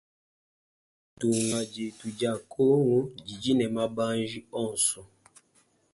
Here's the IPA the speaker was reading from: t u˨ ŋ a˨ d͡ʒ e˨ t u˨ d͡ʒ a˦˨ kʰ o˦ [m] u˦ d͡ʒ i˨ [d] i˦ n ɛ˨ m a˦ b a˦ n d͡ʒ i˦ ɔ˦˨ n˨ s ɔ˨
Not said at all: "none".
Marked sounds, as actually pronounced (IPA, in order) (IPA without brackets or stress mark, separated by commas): ŋ, d͡ʒ